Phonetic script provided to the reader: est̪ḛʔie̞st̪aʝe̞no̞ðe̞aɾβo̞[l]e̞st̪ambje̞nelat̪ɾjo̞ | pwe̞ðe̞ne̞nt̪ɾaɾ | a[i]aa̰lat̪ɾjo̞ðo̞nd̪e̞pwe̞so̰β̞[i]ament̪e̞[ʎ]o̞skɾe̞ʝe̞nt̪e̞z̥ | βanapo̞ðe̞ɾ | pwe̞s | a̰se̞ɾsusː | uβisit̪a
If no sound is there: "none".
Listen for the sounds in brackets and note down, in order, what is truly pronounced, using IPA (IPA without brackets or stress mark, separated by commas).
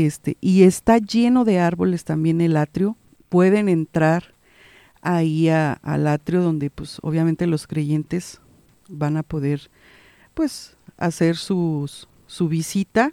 l, i, j, l